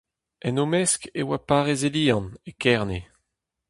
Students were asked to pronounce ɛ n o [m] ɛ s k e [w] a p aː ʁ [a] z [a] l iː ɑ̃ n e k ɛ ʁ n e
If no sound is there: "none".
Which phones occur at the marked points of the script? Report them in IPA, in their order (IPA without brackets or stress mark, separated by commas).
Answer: m, w, e, e